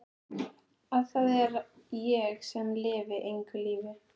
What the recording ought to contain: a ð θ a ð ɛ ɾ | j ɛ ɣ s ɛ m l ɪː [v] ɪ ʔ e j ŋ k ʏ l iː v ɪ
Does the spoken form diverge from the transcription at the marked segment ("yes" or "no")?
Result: no